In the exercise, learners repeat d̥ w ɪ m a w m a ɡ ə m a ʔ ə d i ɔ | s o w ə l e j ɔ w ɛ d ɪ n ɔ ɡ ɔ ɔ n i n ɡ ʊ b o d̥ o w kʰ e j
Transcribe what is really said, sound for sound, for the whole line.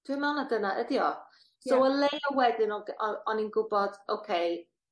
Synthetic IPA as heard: d̥ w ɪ m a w n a d ə n a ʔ ə d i ɔ | s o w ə l e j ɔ w ɛ d ɪ n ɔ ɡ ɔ ɔ n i n ɡ ʊ b ɔ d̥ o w kʰ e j